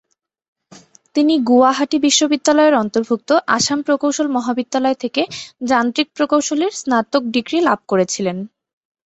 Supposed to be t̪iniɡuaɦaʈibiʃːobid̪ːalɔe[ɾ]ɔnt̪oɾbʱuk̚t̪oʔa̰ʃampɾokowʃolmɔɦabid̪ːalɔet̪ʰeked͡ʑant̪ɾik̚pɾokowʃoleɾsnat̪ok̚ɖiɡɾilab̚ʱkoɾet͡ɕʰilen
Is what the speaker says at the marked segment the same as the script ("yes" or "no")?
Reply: yes